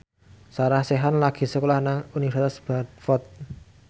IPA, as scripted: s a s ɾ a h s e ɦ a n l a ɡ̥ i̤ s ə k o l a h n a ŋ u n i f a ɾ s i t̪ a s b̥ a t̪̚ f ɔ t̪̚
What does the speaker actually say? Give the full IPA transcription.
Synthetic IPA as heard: s a ɾ a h s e ɦ a n l a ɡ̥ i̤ s ə k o l a h n a ŋ u n i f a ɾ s i t̪ a s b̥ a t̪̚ f ɔ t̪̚